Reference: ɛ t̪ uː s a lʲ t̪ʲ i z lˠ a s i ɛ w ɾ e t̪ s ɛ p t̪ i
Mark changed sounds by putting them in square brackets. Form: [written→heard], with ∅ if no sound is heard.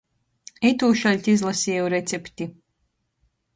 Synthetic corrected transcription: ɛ t̪ uː [s→ʃ] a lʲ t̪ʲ i z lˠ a s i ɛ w ɾ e t̪ s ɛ p t̪ i